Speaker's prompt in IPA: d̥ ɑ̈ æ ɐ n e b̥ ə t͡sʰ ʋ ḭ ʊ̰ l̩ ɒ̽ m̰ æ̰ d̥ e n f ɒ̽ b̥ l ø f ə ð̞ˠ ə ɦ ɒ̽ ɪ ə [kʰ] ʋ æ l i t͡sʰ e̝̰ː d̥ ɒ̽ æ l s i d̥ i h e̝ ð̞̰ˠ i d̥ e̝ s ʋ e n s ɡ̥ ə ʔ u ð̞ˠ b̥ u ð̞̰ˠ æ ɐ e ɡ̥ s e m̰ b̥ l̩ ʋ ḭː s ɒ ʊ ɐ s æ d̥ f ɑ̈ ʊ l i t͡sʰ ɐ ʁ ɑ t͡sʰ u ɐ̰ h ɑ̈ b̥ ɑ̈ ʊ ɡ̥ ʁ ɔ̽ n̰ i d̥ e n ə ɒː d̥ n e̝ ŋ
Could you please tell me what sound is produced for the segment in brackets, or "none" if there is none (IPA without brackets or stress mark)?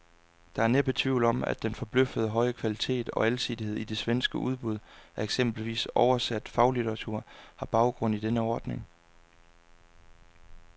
kʰ